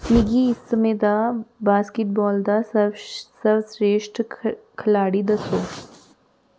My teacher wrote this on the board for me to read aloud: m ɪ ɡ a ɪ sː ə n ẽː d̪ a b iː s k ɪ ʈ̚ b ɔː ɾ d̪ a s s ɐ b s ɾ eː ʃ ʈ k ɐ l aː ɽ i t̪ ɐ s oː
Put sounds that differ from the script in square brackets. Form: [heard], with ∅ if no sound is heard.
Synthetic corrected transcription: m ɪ ɡ [i] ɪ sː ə [m] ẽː d̪ a b [aː] s k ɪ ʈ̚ b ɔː [l] d̪ a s s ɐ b s ɾ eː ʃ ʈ [kʰ] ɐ l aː ɽ i [d̪] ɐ s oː